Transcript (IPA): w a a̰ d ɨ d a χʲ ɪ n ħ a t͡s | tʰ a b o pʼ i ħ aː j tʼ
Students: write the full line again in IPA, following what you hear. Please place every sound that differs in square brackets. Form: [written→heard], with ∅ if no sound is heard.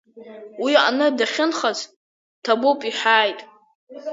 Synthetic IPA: w [a→i] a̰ [d→n] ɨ d a χʲ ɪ n [ħ→χ] a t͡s | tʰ a b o pʼ i ħ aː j tʼ